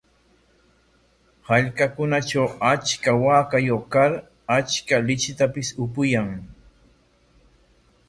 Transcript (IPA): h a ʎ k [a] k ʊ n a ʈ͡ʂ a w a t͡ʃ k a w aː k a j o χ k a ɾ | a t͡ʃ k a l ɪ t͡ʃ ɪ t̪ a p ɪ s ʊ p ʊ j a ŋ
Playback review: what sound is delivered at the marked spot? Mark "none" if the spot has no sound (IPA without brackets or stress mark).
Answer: a